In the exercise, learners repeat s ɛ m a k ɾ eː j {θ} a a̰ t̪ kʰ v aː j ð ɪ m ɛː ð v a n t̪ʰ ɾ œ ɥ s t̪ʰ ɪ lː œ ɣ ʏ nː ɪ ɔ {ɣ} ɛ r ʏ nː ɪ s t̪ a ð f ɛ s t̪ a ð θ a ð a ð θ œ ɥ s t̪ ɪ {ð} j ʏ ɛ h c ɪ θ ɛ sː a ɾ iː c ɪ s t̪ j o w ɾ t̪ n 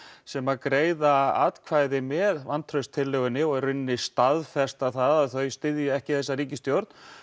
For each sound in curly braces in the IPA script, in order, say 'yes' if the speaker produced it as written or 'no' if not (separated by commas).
no, yes, yes